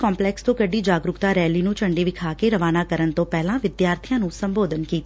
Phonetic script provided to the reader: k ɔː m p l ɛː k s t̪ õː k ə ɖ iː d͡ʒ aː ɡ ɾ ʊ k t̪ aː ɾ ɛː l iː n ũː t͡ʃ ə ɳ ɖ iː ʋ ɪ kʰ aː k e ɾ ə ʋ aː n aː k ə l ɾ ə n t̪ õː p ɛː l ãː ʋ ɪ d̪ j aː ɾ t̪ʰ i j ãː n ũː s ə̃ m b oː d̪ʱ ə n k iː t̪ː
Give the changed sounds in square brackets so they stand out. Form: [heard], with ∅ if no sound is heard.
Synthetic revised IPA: k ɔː m p l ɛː k s t̪ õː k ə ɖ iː d͡ʒ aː ɡ ɾ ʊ k t̪ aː ɾ ɛː l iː n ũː t͡ʃ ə ɳ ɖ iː ʋ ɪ kʰ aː k e ɾ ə ʋ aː n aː k ə [∅] ɾ ə n t̪ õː p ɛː l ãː ʋ ɪ d̪ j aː ɾ t̪ʰ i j ãː n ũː s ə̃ m b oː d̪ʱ ə n k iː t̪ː